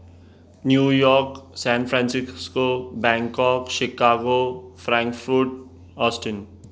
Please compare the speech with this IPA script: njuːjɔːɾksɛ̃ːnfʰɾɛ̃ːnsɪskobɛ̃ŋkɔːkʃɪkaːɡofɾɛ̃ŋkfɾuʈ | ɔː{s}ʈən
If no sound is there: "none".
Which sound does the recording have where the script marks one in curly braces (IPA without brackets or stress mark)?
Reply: s